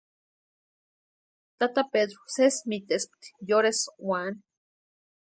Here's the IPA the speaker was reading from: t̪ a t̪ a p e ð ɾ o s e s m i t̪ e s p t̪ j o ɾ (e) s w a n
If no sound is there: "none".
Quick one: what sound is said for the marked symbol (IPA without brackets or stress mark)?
e